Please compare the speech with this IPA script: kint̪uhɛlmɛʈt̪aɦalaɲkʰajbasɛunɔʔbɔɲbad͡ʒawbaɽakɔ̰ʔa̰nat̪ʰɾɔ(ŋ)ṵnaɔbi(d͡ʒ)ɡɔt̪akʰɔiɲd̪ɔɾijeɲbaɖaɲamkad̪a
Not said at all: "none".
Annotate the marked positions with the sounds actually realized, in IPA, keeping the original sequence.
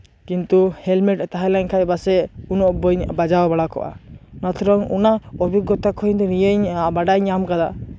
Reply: ŋ, none

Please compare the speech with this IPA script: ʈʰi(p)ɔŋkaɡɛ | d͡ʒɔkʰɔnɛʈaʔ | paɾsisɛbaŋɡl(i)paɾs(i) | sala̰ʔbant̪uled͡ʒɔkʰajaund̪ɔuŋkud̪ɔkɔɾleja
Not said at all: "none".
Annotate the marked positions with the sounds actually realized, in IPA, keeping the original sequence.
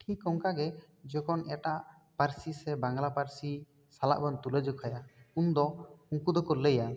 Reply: k, a, i

